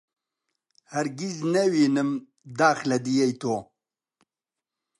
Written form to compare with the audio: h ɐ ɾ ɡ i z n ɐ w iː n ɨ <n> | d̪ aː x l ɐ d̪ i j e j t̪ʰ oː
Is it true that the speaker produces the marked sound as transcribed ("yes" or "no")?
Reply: no